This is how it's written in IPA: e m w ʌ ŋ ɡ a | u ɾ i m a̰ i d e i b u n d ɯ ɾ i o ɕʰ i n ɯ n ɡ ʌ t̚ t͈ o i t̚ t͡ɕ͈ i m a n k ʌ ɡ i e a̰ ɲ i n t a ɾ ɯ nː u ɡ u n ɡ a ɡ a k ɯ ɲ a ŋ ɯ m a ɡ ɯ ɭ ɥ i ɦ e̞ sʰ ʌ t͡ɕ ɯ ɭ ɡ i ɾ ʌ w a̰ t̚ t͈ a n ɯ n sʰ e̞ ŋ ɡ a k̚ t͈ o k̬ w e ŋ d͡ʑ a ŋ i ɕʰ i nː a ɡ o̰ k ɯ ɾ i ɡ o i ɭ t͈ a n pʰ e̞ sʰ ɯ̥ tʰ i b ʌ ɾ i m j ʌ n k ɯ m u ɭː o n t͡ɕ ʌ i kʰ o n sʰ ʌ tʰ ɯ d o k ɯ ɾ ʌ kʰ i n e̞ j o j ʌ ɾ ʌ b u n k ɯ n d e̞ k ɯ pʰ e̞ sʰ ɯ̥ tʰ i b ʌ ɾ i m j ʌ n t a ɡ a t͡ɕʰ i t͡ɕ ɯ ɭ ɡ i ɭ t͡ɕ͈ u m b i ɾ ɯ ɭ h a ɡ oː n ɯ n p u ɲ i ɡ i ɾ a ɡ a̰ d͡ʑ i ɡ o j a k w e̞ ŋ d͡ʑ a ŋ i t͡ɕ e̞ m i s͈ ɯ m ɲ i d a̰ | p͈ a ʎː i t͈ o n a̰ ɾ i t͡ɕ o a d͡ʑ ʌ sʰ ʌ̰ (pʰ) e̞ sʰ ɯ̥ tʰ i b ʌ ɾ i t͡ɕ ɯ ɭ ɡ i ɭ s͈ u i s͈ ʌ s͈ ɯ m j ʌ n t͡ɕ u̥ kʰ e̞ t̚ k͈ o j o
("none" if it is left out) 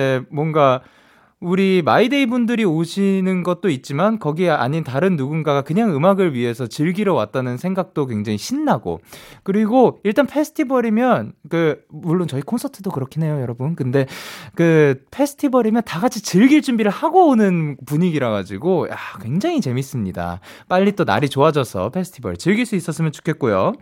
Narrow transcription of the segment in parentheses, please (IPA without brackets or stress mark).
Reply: pʰ